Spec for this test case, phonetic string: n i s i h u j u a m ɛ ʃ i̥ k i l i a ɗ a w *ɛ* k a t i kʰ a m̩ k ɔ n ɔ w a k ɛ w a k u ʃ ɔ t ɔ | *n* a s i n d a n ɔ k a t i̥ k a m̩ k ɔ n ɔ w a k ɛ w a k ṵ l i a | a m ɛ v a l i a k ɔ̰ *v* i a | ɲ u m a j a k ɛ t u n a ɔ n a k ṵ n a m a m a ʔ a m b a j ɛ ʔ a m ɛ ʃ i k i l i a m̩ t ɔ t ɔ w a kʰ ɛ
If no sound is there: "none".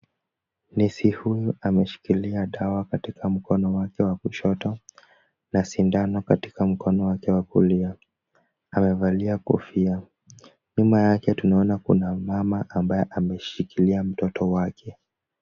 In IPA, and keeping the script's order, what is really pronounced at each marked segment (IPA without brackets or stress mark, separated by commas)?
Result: a, n, f